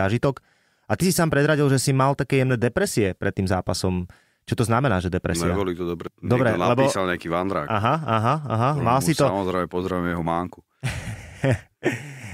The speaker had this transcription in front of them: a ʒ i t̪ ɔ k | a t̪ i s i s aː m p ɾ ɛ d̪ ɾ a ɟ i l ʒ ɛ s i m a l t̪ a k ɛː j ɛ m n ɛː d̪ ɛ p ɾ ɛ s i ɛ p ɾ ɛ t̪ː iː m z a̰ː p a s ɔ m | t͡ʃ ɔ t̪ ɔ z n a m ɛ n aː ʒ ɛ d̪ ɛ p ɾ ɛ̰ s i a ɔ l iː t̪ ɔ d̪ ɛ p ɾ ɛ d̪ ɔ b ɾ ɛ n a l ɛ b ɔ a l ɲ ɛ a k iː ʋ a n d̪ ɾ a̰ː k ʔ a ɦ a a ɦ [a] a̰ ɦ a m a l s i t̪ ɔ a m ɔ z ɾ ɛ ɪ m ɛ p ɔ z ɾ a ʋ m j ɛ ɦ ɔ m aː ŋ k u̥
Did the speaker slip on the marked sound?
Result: no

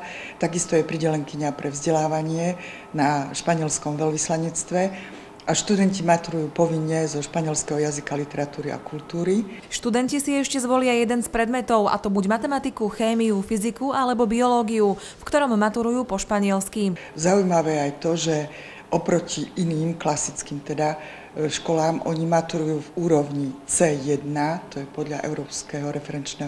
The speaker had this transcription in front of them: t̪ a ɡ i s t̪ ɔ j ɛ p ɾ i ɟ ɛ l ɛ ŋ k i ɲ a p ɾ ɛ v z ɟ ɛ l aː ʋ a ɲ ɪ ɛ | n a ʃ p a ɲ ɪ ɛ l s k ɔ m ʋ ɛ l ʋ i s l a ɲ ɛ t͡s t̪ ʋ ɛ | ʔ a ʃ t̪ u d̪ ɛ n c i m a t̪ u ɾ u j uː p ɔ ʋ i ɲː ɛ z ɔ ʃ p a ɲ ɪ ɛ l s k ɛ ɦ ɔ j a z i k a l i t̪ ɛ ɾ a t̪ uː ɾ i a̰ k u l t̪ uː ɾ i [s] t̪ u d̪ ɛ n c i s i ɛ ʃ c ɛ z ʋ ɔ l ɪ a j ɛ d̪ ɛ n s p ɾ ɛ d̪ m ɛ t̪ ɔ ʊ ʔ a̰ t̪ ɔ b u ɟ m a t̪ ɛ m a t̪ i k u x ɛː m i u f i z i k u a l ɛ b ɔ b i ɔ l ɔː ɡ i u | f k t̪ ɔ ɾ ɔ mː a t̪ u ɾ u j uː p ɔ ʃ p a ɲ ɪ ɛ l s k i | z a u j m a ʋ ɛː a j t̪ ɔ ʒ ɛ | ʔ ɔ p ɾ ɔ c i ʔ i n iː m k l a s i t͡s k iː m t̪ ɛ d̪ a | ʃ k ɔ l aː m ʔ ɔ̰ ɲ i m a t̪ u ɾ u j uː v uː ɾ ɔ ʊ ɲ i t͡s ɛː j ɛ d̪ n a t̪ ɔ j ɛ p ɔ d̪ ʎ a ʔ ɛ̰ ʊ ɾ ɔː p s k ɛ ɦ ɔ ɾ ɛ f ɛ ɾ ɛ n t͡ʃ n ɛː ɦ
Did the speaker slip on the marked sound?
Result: yes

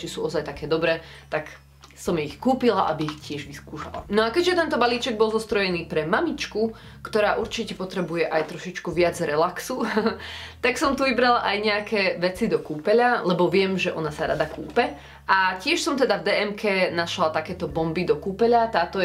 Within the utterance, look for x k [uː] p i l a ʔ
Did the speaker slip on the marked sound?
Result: no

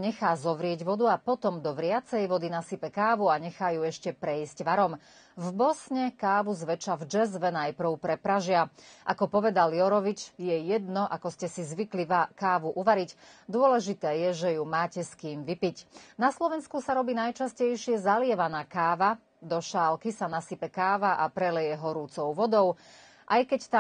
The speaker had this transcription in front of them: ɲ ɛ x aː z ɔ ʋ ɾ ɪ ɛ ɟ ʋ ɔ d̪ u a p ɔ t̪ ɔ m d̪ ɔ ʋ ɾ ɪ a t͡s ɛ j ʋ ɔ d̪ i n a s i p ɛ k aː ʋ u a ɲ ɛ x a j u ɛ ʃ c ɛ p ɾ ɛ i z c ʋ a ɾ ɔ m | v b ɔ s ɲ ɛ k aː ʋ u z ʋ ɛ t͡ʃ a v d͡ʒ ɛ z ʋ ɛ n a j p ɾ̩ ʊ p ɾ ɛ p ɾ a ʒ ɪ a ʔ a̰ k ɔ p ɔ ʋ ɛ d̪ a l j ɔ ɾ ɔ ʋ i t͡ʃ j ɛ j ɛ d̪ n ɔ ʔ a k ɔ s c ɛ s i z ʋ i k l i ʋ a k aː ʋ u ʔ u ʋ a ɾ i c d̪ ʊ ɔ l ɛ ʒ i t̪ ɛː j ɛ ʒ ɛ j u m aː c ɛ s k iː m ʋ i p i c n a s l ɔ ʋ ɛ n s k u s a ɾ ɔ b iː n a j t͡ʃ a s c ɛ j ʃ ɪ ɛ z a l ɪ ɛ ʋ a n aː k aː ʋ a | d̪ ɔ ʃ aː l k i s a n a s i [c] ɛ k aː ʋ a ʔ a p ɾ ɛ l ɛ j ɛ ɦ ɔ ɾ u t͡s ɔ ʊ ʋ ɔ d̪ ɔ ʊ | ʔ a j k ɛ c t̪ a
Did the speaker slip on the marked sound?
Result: yes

